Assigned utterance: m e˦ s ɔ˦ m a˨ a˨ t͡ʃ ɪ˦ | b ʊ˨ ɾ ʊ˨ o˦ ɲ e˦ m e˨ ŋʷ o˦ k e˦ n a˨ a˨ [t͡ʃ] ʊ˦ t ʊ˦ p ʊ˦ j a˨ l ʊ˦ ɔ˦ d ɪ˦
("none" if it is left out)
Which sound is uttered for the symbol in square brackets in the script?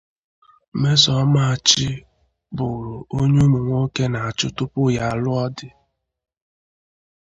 t͡ʃ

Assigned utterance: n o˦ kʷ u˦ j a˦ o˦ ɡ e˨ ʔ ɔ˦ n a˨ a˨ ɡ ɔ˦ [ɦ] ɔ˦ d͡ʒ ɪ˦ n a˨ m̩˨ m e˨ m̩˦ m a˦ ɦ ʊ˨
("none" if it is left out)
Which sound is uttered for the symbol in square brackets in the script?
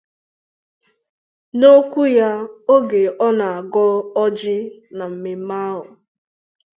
none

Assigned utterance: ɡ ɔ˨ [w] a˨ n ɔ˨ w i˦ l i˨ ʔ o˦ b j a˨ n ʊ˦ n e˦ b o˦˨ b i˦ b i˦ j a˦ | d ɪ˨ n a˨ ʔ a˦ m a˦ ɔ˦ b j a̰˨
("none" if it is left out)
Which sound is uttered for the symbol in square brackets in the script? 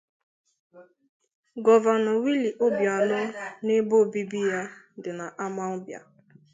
v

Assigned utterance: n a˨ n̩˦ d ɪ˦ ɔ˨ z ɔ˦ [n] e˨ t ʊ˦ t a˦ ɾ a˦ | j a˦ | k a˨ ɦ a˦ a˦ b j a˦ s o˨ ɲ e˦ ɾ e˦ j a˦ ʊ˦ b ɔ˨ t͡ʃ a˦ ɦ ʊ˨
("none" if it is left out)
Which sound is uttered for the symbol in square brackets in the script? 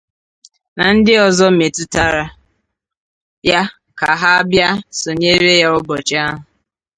m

